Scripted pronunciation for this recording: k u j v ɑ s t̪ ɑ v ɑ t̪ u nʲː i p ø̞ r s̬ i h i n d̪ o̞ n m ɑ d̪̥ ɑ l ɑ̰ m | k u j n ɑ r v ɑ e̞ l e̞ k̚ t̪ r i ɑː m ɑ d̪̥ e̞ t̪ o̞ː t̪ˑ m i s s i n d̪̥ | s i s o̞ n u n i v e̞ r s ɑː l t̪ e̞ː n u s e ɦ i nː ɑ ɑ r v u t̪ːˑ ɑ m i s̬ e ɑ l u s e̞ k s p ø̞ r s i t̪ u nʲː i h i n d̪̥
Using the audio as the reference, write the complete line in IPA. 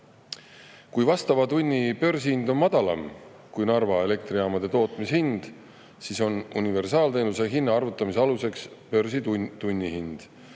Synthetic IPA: k u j v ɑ s t̪ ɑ v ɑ t̪ u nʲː i p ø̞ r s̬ i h i n d̪ o̞ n m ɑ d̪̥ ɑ l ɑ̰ m | k u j n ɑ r v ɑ e̞ l e̞ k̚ t̪ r i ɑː m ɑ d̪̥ e̞ t̪ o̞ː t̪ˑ m i s h i n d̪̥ | s i s o̞ n u n i v e̞ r s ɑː l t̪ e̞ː n u s e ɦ i nː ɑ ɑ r v u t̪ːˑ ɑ m i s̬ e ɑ l u s e̞ k s p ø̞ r s i t̪ u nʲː i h i n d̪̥